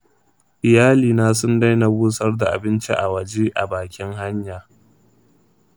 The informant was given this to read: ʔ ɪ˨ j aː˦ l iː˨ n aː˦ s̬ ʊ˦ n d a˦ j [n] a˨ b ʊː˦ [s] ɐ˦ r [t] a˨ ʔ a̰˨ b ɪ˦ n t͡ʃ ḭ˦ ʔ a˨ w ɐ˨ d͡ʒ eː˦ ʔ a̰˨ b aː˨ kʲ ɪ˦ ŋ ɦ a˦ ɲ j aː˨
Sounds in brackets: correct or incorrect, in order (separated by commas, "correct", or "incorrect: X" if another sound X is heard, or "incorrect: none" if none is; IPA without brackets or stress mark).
correct, correct, incorrect: d